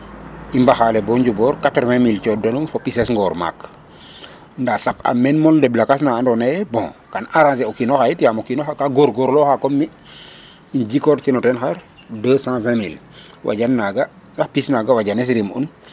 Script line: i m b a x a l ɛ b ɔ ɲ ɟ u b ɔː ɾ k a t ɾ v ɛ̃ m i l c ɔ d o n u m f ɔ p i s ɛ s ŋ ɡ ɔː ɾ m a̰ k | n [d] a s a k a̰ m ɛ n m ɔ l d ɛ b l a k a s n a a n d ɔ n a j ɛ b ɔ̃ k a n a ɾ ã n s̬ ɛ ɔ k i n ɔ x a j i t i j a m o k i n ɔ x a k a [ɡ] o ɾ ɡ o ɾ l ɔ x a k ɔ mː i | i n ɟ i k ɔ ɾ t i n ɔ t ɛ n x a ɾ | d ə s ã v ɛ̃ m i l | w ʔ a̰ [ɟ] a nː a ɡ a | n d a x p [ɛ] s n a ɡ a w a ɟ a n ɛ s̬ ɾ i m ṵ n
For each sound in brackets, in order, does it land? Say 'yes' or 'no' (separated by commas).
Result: yes, yes, yes, no